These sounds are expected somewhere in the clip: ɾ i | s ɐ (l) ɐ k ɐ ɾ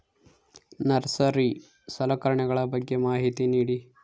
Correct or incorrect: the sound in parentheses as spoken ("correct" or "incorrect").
correct